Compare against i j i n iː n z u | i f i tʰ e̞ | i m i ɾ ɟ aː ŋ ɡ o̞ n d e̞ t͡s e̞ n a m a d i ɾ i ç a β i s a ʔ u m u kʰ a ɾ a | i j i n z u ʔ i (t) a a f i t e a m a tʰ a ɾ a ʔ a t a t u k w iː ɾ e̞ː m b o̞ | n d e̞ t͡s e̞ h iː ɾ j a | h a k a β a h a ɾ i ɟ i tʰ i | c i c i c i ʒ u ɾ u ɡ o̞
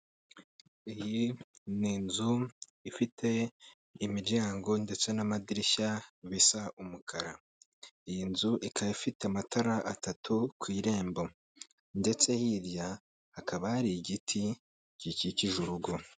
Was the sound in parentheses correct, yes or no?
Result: no